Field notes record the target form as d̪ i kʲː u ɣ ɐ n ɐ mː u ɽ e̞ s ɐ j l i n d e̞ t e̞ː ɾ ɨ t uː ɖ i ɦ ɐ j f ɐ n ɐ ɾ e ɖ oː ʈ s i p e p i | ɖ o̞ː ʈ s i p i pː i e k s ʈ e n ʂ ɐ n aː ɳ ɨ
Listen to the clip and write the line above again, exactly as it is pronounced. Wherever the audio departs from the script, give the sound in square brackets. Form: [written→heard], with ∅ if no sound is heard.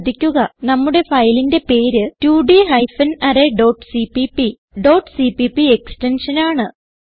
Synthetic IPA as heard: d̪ i kʲː u ɣ ɐ n ɐ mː u ɽ e̞ [s→f] ɐ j l i n d e̞ [t→p] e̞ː ɾ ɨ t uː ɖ i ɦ ɐ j f ɐ n ɐ ɾ e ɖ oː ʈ s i p [e→i] p i | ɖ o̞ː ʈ s i p i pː i e k s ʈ e n ʂ ɐ n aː ɳ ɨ

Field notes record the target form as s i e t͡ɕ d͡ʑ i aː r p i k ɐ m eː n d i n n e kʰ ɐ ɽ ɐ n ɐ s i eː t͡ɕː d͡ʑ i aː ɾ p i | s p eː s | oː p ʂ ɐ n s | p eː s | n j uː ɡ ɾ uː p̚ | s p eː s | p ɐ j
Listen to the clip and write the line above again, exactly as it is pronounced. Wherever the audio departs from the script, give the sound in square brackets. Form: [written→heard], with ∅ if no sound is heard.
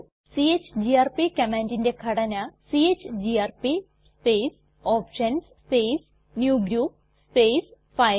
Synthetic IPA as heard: s i e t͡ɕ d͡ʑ i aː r p i k ɐ m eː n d i n [n→d] e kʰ ɐ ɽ ɐ n ɐ s i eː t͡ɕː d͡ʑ i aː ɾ p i | s p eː s | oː p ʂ ɐ n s | p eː s | n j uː ɡ ɾ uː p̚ | s p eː s | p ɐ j

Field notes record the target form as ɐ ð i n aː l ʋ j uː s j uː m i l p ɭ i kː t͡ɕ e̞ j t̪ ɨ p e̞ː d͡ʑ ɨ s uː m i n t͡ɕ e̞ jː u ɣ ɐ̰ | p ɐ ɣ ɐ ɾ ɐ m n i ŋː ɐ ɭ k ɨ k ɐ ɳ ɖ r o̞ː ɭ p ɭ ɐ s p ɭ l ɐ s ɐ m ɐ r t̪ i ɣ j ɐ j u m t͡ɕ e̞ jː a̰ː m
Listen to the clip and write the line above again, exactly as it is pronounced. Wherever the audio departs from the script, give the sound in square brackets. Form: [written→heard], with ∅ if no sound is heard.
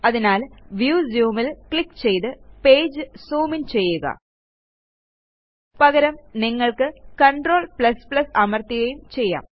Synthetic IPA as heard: ɐ ð i n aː l ʋ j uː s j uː m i l [p→k] ɭ i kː t͡ɕ e̞ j t̪ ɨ p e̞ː d͡ʑ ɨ s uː m i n t͡ɕ e̞ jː u ɣ ɐ̰ | p ɐ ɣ ɐ ɾ ɐ m n i ŋː ɐ ɭ k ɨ k ɐ ɳ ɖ r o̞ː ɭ p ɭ ɐ s p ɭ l ɐ s ɐ m ɐ r t̪ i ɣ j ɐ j u m t͡ɕ e̞ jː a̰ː m

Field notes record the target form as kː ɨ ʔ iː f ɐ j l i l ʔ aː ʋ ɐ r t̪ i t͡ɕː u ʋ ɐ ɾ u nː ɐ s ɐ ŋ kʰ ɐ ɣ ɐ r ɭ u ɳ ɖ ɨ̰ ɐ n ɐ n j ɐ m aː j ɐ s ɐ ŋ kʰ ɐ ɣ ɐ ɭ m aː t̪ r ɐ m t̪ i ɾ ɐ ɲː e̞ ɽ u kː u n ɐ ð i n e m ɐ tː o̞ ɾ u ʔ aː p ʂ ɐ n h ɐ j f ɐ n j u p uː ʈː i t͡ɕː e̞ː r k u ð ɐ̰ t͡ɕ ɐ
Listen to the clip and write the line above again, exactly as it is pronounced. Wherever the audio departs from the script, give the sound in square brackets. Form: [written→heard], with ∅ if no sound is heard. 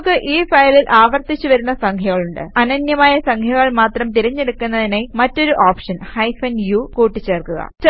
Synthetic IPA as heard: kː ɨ ʔ iː f ɐ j l i l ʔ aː ʋ ɐ r t̪ i t͡ɕː u ʋ ɐ ɾ u nː ɐ s ɐ ŋ kʰ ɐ ɣ ɐ [r→∅] ɭ u ɳ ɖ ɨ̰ ɐ n ɐ n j ɐ m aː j ɐ s ɐ ŋ kʰ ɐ ɣ ɐ ɭ m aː t̪ r ɐ m t̪ i ɾ ɐ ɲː e̞ ɽ u kː u [n→nː] ɐ ð i n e m ɐ tː o̞ ɾ u ʔ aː p ʂ ɐ n h ɐ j f ɐ n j u [p→k] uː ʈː i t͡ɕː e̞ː r k u [ð→ɣ] ɐ̰ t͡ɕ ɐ

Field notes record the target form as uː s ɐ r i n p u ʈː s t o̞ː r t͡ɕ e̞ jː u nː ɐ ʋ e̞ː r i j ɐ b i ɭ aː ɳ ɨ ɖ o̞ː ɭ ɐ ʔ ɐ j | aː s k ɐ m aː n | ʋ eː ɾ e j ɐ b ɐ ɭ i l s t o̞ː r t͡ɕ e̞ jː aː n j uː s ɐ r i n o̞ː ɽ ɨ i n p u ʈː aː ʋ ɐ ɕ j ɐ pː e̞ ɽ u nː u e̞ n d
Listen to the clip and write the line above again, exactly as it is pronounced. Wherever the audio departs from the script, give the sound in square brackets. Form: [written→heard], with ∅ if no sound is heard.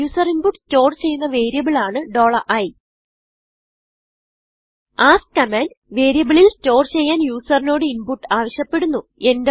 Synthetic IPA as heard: uː s ɐ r i n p u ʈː s t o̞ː r t͡ɕ e̞ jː u nː ɐ ʋ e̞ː [r→ɾ] i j ɐ b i ɭ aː ɳ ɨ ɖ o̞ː ɭ ɐ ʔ ɐ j | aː s k ɐ m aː n | ʋ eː ɾ [e→i] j ɐ b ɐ ɭ i l s t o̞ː r t͡ɕ e̞ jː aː n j uː s ɐ r i n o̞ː ɽ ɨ i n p u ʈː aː ʋ ɐ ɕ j ɐ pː e̞ ɽ u nː u e̞ n d

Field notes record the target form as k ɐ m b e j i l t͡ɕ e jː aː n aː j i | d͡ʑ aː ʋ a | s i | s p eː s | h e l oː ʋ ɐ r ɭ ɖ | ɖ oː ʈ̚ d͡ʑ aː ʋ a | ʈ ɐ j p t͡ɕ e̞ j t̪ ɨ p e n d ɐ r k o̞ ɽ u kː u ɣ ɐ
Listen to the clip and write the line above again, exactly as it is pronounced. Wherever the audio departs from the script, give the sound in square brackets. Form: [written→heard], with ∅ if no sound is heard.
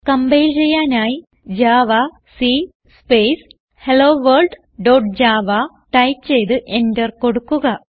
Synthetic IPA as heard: k ɐ m b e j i l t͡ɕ e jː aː n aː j i | d͡ʑ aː ʋ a | s i | s p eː s | h e l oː ʋ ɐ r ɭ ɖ | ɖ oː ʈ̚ d͡ʑ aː ʋ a | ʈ ɐ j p t͡ɕ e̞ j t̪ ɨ [p→ʔ] e n d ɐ r k o̞ ɽ u kː u ɣ ɐ

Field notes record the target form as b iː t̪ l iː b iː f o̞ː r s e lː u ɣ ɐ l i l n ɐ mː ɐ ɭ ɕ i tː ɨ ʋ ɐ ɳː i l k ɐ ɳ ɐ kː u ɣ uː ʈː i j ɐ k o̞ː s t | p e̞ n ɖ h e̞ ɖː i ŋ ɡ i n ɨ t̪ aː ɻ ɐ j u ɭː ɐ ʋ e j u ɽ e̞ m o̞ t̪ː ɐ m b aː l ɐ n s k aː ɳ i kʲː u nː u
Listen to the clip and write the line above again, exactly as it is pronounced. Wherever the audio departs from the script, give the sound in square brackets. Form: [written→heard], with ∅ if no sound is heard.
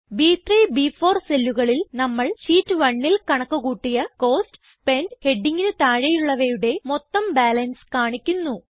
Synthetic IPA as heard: b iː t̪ [l→r] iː b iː f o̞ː r s e lː u ɣ ɐ [l→ɭ] i l n ɐ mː ɐ ɭ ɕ [i→iː] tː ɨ ʋ ɐ ɳː i l k ɐ ɳ ɐ kː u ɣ uː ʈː i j ɐ k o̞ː s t | p e̞ n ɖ h e̞ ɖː i ŋ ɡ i n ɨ t̪ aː ɻ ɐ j u ɭː ɐ ʋ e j u ɽ e̞ m o̞ t̪ː ɐ m b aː l ɐ n s k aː ɳ i kʲː u nː u

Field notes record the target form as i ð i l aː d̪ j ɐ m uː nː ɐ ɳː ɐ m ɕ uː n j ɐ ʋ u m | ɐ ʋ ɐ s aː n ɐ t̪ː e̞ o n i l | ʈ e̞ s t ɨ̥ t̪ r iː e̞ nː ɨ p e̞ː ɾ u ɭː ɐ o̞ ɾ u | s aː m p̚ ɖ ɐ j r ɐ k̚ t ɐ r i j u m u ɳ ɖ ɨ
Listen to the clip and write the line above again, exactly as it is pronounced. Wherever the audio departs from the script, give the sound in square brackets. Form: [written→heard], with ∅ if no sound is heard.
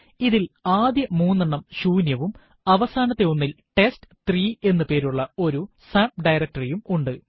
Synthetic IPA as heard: i ð i l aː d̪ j ɐ m uː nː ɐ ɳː ɐ m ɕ uː n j ɐ ʋ u m | ɐ ʋ ɐ s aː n ɐ t̪ː e̞ o [n→nː] i l | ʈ e̞ s t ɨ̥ t̪ r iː e̞ nː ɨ p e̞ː ɾ u ɭː ɐ o̞ ɾ u | s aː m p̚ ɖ ɐ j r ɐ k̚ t ɐ r i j u m u ɳ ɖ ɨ

